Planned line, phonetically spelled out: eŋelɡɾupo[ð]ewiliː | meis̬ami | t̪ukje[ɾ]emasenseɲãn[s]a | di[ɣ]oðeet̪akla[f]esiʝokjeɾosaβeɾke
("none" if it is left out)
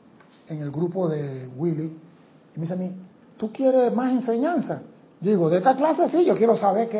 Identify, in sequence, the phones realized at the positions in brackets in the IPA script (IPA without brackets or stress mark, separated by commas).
ð, ɾ, s, ɣ, s